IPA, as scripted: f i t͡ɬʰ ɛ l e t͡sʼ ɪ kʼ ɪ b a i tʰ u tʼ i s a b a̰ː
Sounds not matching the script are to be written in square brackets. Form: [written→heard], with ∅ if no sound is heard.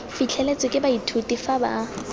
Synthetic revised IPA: f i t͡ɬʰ ɛ l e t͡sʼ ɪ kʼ ɪ b a i tʰ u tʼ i [s→f] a b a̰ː